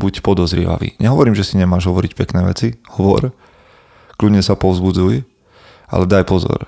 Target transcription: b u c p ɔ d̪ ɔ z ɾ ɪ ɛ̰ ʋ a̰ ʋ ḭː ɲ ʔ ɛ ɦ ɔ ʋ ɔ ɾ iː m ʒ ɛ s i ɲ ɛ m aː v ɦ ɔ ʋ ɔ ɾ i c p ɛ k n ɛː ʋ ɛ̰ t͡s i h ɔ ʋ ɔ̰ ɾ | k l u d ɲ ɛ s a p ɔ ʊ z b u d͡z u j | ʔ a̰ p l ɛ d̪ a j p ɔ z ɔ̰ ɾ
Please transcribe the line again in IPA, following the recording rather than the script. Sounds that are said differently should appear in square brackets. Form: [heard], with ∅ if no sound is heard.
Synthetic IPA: b u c p ɔ d̪ ɔ z ɾ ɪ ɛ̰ ʋ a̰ ʋ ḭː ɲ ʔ ɛ ɦ ɔ ʋ ɔ ɾ iː m ʒ ɛ s i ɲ ɛ m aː [ʒ] ɦ ɔ ʋ ɔ ɾ i c p ɛ k n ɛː ʋ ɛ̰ t͡s i h ɔ ʋ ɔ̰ ɾ | k l u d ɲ ɛ s a p ɔ ʊ z b u d͡z u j | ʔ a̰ [∅] l ɛ d̪ a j p ɔ z ɔ̰ ɾ